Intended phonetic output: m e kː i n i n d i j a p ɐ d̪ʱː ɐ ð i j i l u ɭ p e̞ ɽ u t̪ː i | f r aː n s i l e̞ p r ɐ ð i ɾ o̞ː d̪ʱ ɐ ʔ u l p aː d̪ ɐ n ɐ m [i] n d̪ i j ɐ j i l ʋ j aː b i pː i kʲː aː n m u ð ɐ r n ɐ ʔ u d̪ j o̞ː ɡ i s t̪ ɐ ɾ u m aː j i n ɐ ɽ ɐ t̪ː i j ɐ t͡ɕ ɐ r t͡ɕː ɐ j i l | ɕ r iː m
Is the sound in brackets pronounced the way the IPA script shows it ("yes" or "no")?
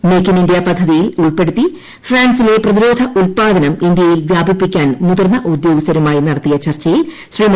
yes